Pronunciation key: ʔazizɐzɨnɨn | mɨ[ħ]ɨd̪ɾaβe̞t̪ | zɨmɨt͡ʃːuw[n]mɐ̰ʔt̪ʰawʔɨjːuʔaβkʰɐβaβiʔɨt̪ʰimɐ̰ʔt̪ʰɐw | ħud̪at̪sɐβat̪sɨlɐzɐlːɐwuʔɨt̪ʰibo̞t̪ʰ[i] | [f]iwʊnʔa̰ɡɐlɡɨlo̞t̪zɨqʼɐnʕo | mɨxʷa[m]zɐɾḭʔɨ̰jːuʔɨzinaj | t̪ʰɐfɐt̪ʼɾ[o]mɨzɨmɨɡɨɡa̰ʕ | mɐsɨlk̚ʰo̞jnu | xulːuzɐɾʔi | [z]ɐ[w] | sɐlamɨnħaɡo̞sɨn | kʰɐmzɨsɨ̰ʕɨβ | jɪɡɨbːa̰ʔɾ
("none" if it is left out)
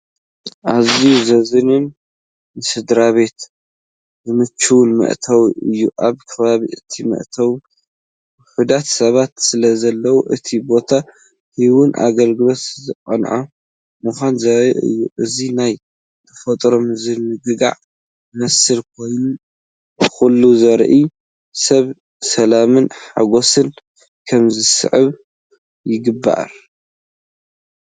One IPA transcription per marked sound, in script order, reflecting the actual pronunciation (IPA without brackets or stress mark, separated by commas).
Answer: s, n, a, h, n, o, s, β